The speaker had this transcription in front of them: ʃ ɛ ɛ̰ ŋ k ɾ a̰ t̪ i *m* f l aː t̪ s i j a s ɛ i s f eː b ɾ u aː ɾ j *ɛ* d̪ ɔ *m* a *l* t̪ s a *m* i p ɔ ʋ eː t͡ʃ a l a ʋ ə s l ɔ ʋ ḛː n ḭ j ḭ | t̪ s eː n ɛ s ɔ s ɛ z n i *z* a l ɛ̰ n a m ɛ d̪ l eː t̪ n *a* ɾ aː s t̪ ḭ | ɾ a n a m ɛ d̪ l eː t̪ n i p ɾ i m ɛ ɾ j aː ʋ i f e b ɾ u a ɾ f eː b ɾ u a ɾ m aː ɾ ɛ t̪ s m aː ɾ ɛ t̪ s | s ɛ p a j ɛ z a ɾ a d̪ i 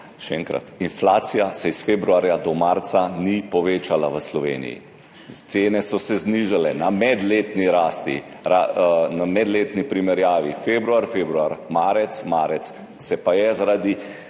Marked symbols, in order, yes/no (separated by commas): no, no, yes, no, no, no, no